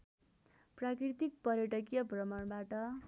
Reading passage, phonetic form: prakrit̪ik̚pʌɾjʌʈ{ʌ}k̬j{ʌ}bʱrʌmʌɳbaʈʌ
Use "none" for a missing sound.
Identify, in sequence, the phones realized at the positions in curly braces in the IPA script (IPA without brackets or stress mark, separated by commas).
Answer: ʌ, ʌ